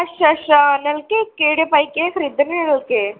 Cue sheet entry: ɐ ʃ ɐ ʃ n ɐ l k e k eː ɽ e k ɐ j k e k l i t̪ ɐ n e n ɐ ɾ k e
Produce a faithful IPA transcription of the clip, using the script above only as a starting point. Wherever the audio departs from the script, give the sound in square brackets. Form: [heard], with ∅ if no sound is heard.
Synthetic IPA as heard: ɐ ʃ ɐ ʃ n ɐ l k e k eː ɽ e [p] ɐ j k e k [ɾ] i [d̪] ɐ n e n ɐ [l] k e